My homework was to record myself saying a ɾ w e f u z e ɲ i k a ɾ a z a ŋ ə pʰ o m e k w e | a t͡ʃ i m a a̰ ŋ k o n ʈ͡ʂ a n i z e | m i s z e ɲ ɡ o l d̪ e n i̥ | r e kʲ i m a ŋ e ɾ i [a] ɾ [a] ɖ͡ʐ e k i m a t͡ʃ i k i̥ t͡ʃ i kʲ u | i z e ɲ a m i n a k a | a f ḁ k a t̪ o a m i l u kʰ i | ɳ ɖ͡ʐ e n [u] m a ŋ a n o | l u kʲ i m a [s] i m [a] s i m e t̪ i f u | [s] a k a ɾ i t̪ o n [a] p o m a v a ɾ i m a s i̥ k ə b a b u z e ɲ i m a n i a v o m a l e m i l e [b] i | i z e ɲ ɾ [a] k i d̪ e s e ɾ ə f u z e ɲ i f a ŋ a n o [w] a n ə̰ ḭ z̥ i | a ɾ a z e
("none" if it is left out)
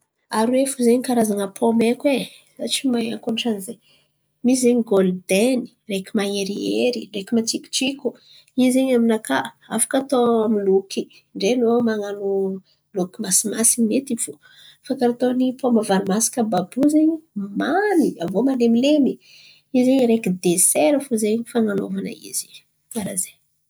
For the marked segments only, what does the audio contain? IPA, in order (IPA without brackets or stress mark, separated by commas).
e, i, o, s, a, f, i, m, e, v